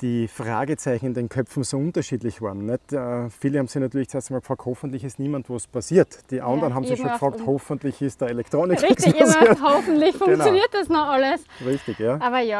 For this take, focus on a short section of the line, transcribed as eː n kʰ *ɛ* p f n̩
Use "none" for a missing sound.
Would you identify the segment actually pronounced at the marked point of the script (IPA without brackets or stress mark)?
œ